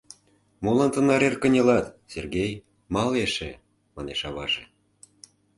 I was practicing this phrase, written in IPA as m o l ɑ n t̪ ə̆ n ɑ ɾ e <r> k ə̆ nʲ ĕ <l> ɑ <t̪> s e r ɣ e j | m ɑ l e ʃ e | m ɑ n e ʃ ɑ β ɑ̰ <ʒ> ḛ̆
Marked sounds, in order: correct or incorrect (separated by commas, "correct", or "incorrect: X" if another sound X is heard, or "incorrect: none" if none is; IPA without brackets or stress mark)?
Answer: correct, correct, correct, correct